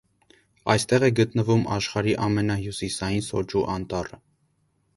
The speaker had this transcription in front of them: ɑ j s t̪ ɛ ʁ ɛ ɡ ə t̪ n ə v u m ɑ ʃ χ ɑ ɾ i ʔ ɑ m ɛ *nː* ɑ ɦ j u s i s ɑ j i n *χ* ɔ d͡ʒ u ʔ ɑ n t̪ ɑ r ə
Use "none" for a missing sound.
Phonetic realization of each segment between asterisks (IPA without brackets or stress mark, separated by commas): n, s